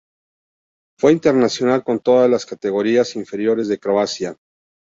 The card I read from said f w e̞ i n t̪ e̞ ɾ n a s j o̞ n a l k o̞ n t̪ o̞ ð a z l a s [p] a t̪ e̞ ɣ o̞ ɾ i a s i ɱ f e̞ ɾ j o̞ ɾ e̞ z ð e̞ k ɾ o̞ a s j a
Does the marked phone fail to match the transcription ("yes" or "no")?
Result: yes